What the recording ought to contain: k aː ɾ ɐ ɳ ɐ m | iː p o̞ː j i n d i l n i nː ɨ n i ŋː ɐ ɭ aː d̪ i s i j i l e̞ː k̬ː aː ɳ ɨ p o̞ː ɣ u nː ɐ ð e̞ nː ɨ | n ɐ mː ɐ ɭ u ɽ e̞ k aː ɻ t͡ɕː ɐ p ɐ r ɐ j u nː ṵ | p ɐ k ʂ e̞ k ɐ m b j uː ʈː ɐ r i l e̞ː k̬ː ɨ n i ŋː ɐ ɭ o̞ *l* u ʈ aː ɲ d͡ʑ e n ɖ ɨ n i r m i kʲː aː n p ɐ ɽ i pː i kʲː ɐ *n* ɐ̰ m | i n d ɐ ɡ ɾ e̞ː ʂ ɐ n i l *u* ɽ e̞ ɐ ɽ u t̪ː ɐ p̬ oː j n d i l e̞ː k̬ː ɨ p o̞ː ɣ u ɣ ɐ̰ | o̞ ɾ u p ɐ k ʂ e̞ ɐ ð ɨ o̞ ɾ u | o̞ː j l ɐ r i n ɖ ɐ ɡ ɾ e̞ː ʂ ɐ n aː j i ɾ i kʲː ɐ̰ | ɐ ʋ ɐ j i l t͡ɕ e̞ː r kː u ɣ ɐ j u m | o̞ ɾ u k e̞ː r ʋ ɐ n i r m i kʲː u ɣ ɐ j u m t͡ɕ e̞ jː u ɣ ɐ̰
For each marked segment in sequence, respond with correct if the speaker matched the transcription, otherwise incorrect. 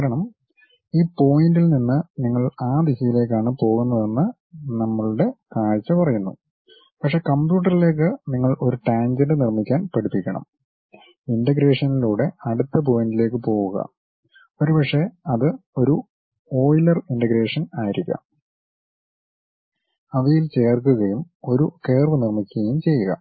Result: incorrect, incorrect, incorrect

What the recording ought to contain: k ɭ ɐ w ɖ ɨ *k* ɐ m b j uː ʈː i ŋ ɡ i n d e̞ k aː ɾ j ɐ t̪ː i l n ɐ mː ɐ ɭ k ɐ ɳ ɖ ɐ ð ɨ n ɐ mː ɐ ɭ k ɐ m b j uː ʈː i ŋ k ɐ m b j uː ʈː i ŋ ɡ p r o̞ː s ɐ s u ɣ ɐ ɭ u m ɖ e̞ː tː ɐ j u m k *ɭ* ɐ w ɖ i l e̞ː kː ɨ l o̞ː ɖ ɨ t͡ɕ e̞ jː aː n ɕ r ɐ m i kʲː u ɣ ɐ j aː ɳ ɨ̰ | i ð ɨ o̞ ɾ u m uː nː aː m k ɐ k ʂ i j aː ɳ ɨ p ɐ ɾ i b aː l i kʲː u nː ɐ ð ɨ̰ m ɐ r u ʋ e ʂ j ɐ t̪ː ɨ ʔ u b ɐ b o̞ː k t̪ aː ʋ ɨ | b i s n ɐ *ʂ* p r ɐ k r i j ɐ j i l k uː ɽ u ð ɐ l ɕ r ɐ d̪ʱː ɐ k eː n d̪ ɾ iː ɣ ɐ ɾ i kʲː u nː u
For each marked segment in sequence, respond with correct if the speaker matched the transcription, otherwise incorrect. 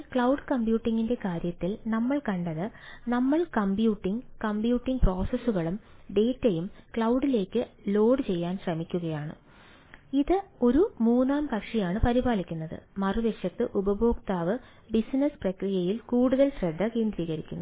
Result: correct, correct, incorrect

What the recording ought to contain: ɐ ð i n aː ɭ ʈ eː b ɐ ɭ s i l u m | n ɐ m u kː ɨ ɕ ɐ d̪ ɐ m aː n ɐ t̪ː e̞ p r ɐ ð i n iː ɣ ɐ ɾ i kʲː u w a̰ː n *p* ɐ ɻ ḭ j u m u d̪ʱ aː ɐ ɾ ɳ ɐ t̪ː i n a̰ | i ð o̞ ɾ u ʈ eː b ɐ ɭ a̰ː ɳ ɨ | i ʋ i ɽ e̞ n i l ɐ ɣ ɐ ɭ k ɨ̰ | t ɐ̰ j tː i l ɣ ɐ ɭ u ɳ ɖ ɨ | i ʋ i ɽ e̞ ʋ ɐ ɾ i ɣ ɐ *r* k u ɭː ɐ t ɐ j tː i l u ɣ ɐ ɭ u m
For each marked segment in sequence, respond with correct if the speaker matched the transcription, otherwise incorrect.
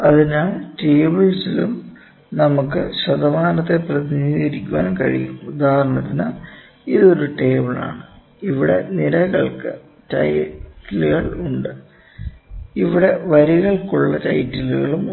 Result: incorrect, incorrect

